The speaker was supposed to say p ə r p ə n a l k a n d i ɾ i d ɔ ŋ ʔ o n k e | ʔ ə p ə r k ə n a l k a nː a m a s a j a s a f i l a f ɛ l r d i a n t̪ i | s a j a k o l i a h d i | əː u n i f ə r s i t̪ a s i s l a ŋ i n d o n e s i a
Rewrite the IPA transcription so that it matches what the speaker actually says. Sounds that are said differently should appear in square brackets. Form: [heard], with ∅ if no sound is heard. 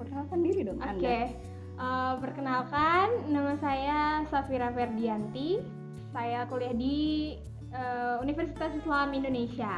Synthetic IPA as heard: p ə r [k] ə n a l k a n d i ɾ i d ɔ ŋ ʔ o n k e | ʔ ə p ə r k ə n a l k a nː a m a s a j a s a f i [ɾ] a f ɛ [∅] r d i a n t̪ i | s a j a k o l i a h d i | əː u n i f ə r s i t̪ a s i s l a [m] i n d o n e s i a